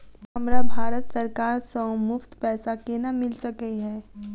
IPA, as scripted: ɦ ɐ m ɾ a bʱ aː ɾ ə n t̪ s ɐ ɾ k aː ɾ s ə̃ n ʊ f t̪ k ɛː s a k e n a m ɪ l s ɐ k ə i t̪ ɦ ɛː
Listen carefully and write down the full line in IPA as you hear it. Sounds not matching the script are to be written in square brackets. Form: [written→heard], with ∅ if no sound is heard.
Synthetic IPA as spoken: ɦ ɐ m ɾ a bʱ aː ɾ ə [n→∅] t̪ s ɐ ɾ k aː ɾ s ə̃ [n→m] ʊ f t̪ [k→p] ɛː s a k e n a m ɪ l s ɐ k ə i [t̪→∅] ɦ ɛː